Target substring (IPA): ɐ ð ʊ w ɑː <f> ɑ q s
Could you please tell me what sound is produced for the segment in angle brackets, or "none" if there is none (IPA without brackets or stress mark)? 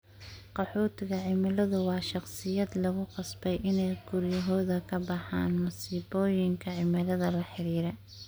ʃ